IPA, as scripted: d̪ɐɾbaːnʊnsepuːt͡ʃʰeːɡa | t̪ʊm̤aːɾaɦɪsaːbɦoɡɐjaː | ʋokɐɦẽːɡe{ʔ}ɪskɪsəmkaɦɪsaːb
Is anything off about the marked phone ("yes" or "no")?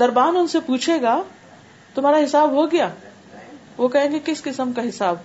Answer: yes